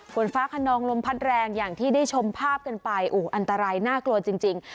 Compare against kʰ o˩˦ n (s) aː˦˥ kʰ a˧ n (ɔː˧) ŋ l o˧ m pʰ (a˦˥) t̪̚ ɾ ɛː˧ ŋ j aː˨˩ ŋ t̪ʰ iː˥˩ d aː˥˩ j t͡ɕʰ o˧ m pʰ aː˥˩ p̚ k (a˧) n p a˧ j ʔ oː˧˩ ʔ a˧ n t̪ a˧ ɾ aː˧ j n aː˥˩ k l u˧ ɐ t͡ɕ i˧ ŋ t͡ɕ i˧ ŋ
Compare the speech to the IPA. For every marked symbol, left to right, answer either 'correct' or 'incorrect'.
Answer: incorrect, correct, correct, correct

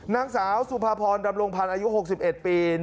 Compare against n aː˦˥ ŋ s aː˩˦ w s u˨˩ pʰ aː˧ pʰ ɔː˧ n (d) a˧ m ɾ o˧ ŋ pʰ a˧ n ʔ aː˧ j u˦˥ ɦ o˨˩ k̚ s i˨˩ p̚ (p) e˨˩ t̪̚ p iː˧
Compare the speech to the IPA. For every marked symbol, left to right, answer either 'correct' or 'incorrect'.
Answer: correct, incorrect

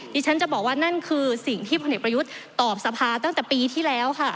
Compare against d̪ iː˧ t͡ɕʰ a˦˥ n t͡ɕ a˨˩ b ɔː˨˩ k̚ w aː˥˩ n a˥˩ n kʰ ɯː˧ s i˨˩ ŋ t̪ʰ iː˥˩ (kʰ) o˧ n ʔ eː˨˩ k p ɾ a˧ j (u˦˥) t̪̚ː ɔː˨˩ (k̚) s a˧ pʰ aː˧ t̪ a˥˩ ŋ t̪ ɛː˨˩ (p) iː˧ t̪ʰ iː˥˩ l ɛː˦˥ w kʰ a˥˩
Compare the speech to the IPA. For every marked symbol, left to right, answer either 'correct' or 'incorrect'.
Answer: incorrect, correct, incorrect, correct

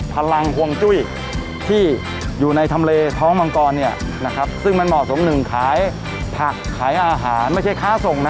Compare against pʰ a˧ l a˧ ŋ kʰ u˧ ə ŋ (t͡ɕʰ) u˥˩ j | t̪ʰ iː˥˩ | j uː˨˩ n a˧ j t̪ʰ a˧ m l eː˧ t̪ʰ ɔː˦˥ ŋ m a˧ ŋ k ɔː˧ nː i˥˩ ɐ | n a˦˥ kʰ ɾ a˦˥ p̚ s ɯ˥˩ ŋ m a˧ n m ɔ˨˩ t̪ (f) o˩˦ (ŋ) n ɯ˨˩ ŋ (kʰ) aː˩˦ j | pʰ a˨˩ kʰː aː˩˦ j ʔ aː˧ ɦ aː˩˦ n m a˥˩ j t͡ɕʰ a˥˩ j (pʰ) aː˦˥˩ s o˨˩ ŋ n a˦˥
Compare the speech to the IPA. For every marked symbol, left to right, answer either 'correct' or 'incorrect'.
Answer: incorrect, incorrect, incorrect, correct, incorrect

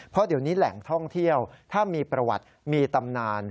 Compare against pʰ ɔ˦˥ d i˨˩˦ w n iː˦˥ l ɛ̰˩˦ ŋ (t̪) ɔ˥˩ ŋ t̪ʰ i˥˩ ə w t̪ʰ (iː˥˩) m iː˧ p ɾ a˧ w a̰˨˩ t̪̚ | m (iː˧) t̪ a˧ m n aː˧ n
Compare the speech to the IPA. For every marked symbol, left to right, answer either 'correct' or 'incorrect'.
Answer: incorrect, incorrect, correct

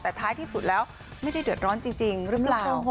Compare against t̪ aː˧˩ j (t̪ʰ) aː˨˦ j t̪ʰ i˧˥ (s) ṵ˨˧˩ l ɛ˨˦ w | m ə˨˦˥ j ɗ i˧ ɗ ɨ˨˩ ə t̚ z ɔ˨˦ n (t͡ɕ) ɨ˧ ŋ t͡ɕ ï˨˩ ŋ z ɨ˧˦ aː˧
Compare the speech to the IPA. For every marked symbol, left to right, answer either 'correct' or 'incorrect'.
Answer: correct, incorrect, correct

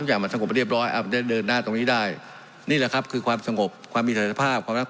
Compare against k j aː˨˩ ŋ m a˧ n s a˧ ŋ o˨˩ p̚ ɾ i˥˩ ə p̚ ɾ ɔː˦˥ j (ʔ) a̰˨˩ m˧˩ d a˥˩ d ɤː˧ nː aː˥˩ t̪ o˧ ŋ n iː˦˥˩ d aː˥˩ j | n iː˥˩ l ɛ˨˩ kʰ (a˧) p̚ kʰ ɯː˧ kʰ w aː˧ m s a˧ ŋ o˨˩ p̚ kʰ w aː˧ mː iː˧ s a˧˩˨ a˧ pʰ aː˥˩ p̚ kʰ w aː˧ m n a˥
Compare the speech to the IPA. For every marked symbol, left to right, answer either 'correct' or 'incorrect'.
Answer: correct, incorrect

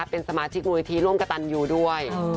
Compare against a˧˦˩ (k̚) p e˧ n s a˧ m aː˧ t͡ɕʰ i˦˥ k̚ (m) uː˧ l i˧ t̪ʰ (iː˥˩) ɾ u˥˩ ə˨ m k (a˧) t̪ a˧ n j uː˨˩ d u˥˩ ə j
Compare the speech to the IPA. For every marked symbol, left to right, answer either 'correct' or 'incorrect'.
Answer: incorrect, correct, incorrect, correct

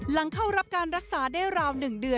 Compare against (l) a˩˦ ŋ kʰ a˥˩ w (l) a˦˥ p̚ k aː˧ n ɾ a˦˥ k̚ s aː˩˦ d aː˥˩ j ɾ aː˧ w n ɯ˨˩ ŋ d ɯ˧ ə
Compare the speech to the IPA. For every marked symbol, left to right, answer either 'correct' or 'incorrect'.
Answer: correct, incorrect

